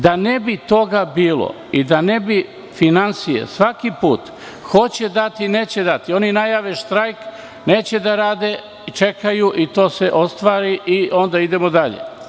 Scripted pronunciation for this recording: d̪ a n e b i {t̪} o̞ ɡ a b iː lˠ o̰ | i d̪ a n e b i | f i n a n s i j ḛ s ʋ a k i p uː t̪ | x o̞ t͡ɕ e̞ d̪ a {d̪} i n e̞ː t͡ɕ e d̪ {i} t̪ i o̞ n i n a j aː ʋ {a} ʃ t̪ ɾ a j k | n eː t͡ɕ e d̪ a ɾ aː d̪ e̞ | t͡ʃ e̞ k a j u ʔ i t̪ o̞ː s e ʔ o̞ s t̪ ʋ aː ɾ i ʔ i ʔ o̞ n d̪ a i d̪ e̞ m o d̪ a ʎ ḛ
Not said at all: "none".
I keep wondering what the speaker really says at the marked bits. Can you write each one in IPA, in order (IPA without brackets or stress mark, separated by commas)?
t̪, t̪, a, e